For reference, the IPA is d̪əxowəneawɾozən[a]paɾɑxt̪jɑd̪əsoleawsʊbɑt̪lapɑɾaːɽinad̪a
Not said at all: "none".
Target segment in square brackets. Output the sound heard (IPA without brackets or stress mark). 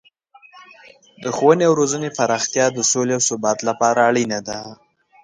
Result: e